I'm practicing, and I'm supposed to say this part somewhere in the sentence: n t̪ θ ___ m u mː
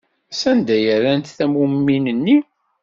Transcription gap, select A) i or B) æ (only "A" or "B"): B